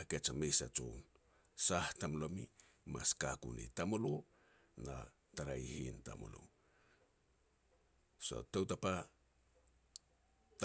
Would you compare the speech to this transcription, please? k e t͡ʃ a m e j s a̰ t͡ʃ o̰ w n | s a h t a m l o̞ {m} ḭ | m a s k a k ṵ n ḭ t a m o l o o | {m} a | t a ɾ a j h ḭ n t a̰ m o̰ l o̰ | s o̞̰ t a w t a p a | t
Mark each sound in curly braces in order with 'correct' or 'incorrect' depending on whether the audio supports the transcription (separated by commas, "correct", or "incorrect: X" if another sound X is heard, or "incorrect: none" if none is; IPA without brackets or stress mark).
correct, incorrect: n